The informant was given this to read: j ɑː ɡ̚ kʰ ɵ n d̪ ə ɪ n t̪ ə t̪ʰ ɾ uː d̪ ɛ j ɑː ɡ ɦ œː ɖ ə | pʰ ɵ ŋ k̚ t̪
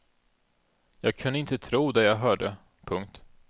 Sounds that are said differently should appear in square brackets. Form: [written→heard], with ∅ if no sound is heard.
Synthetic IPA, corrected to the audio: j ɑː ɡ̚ kʰ ɵ n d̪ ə ɪ n t̪ ə t̪ʰ ɾ uː d̪ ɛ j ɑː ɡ ɦ œː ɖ ə | pʰ ɵ ŋ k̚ t̪